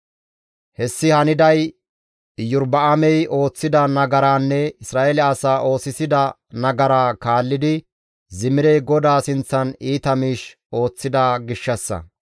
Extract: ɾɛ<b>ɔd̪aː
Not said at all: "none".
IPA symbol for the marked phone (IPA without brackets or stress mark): ɡ